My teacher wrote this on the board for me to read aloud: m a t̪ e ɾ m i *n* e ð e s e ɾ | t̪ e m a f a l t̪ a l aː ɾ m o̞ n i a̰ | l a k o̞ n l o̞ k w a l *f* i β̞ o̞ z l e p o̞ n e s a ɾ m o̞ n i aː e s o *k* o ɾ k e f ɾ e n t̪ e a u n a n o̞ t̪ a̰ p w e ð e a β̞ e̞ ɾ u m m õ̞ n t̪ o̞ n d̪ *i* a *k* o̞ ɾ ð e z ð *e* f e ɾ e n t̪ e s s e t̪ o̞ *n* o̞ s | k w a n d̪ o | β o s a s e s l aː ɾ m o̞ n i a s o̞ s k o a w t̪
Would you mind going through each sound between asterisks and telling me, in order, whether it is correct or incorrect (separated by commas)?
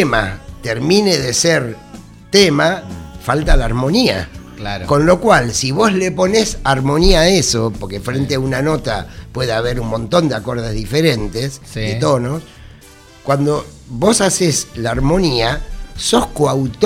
correct, incorrect, incorrect, incorrect, correct, incorrect, correct